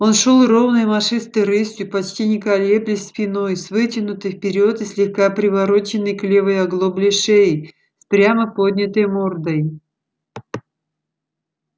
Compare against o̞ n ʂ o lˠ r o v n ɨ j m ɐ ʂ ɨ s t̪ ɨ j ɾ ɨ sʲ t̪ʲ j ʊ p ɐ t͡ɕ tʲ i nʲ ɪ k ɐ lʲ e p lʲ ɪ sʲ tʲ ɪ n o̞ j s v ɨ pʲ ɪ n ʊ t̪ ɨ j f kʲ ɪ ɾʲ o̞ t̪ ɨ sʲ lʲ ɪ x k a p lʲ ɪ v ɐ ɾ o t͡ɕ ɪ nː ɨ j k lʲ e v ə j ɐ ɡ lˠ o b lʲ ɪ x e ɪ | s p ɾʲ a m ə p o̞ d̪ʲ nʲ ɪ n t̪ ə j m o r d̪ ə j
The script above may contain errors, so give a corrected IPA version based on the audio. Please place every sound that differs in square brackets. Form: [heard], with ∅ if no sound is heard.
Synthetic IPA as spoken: o̞ n ʂ o lˠ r o v n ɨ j m ɐ ʂ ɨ s t̪ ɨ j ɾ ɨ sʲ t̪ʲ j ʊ p ɐ t͡ɕ tʲ i nʲ ɪ k ɐ lʲ e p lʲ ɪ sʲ [pʲ] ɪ n o̞ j s v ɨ [tʲ] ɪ n ʊ t̪ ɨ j f [pʲ] ɪ ɾʲ o̞ t̪ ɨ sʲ lʲ ɪ x k a p [ɾʲ] ɪ v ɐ ɾ o t͡ɕ ɪ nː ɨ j k lʲ e v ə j ɐ ɡ lˠ o b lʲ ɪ [ʂ] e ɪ | s p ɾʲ a m ə p o̞ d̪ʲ nʲ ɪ [∅] t̪ ə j m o r d̪ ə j